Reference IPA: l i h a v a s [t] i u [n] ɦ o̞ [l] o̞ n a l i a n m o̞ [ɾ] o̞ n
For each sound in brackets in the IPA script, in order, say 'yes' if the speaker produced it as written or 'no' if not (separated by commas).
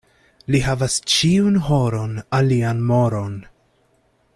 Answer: no, yes, no, yes